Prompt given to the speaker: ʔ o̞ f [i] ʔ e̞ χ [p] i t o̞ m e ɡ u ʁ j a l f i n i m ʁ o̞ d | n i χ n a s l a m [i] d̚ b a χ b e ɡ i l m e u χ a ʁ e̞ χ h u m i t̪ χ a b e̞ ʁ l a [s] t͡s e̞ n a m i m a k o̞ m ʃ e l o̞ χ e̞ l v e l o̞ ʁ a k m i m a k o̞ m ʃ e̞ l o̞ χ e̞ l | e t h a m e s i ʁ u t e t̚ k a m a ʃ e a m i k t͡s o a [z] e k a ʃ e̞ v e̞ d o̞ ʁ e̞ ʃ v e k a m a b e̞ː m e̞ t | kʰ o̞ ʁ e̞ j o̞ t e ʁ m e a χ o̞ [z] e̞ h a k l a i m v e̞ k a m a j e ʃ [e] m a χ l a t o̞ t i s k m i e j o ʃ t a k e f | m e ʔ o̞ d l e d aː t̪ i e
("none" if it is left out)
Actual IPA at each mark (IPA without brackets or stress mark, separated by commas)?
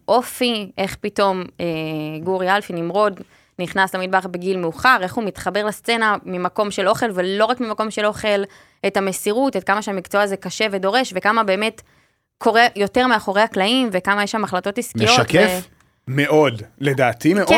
i, p, i, s, z, ʁ, a